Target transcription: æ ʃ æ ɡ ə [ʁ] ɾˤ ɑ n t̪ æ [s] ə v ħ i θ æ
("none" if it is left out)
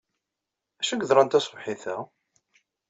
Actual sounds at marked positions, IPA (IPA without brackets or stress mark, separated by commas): ð, s